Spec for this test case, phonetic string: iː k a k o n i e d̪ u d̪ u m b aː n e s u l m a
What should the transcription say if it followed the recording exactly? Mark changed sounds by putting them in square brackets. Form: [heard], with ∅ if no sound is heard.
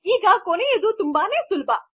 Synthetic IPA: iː [ɡ] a k o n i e d̪ u [t̪] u m b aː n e s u l [b] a